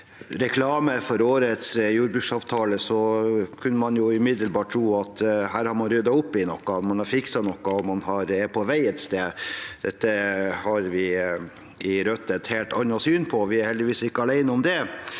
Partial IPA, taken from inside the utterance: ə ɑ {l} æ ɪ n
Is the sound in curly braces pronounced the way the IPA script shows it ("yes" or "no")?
yes